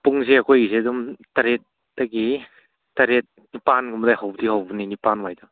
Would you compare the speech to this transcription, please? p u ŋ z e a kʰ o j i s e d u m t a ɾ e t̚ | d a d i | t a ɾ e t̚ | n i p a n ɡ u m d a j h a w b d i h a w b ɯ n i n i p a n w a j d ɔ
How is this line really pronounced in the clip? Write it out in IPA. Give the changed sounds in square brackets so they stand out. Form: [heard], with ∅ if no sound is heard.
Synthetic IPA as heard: p u ŋ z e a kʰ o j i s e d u m t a ɾ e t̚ | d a [ɡ] i | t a ɾ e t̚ | n i p a n ɡ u m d a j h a w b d i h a w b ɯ n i n i p a n w a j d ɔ